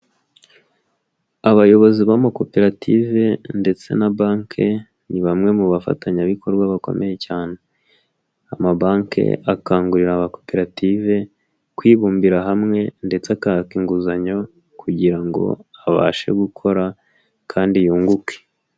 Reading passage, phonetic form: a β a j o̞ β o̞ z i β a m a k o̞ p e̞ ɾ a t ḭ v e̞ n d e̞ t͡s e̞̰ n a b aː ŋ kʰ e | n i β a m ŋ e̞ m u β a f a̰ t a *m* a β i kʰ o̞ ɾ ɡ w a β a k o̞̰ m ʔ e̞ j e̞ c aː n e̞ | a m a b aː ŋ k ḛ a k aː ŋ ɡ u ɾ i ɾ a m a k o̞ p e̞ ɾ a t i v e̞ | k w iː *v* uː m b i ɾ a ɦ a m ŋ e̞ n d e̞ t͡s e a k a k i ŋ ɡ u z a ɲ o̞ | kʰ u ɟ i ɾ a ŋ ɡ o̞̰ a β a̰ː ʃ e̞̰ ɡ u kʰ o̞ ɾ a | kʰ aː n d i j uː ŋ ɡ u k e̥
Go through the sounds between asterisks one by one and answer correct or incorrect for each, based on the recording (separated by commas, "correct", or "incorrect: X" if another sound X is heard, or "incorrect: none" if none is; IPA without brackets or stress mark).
incorrect: ɲ, incorrect: β